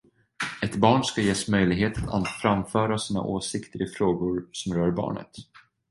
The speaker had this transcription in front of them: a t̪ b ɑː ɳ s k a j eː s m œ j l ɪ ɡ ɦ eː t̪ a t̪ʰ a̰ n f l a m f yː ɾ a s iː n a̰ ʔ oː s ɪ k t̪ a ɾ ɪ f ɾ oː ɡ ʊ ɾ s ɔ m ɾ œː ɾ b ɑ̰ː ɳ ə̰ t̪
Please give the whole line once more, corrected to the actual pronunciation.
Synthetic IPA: ɛ t̪ b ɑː ɳ s k a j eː s m œ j l ɪ ɡ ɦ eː t̪ a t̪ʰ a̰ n f ɾ a m f œː ɾ a s iː n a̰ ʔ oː s ɪ k t̪ ə ɾ ɪ f ɾ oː ɡ ʊ ɾ s ɔ m ɾ œː ɾ b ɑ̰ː ɳ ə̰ t̪